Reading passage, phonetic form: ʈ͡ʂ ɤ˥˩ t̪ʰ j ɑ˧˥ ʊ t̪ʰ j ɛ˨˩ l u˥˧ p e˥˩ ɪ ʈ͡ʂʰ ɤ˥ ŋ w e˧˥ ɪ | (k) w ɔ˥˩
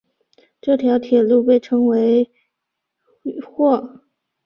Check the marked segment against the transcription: incorrect: x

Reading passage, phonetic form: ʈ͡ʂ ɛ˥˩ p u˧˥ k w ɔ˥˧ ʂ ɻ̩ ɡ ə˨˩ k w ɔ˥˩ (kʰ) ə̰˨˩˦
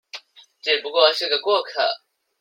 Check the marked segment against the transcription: correct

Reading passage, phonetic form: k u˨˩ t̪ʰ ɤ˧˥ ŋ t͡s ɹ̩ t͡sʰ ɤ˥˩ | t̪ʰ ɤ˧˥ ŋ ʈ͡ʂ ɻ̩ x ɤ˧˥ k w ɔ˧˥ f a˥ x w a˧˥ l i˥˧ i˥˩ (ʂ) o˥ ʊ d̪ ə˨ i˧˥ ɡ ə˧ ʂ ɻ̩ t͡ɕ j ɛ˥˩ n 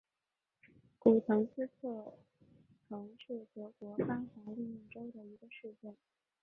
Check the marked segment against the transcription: incorrect: ʈ͡ʂ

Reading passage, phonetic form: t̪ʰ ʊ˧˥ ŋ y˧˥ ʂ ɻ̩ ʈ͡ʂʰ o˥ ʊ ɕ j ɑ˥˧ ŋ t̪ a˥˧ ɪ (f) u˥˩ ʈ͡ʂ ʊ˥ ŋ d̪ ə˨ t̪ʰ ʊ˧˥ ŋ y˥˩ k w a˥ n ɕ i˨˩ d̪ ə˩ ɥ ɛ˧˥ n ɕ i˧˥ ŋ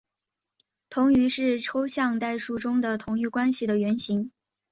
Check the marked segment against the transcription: incorrect: ʂ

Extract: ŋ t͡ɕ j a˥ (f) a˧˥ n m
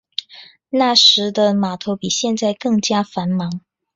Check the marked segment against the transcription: correct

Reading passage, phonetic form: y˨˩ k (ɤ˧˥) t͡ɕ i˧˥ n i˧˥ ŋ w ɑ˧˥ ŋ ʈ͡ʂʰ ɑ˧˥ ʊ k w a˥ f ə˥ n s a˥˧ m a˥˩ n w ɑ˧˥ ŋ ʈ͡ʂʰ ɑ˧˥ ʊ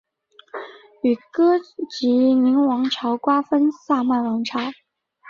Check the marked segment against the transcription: incorrect: ɤ˥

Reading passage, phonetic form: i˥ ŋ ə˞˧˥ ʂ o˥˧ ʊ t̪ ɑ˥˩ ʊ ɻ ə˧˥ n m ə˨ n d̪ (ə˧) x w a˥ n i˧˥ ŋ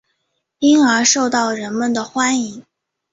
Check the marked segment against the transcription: incorrect: ə˩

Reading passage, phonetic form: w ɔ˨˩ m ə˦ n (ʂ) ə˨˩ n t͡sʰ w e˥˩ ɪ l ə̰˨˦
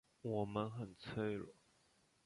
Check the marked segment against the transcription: incorrect: x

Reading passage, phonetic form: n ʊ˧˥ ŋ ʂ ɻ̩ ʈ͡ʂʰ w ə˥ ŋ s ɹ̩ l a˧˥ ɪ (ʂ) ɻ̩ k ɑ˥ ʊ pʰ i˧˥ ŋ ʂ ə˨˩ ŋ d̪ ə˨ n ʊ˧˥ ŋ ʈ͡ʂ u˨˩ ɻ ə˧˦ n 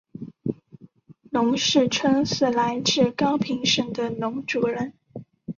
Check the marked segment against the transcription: incorrect: ʈ͡ʂ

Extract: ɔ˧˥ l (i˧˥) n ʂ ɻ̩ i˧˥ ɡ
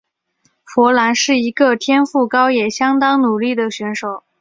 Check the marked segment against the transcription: incorrect: a˧˥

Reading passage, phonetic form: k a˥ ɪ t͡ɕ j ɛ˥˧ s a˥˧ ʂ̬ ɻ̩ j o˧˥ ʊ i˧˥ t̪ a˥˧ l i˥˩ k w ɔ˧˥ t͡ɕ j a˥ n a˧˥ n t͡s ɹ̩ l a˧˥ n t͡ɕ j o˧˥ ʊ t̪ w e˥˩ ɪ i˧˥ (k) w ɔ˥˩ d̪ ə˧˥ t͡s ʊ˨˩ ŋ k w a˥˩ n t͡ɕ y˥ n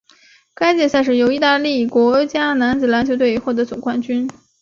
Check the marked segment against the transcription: incorrect: x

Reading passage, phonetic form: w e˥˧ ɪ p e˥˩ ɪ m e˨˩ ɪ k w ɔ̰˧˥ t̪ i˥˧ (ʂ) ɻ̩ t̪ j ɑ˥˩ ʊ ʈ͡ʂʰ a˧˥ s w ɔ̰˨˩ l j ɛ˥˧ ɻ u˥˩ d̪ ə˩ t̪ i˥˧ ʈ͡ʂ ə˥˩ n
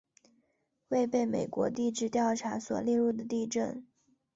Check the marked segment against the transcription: incorrect: ʈ͡ʂ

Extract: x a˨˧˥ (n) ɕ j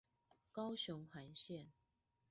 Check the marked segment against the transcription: correct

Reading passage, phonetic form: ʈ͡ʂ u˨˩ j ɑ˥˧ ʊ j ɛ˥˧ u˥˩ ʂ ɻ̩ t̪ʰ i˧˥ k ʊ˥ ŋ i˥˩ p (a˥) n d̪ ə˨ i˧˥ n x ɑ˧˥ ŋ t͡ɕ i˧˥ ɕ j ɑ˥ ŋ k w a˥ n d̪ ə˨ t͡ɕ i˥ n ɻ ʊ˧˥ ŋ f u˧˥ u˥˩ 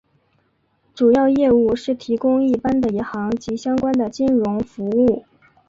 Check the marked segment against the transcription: correct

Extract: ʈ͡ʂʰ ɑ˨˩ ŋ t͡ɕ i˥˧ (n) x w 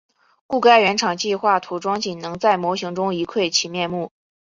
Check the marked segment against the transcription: incorrect: none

